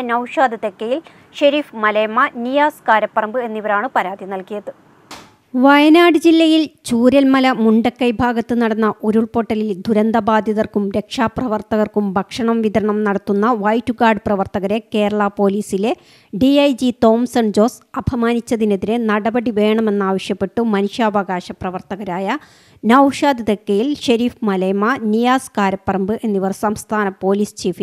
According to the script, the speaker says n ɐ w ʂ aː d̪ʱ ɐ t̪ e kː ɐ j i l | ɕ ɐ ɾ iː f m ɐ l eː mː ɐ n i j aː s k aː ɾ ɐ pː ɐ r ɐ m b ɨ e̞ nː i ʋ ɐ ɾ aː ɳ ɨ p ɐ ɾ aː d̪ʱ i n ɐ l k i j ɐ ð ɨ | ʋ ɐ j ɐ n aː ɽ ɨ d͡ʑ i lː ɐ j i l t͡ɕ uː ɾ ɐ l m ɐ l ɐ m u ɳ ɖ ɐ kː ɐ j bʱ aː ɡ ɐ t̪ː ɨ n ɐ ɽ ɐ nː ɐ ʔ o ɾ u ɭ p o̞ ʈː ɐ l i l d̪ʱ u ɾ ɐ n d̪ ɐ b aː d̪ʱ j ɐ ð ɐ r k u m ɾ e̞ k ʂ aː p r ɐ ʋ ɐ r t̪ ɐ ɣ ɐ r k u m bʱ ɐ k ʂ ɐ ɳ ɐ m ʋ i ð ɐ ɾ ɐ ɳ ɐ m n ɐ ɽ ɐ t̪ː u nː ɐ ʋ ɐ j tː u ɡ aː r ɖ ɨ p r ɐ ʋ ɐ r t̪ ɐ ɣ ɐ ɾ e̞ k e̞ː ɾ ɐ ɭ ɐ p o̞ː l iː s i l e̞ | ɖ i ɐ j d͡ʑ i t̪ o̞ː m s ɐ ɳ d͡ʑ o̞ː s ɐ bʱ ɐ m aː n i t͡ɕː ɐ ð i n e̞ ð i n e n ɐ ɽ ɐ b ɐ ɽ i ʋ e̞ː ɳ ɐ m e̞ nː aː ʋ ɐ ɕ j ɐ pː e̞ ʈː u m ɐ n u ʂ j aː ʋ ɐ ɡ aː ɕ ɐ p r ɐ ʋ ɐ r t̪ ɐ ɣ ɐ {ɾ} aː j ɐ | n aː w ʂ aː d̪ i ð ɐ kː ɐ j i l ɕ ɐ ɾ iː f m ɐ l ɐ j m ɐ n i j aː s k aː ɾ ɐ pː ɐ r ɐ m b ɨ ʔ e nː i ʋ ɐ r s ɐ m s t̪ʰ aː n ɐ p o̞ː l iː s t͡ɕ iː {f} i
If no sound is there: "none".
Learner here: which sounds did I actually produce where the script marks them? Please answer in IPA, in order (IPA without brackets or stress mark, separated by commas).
ɾ, f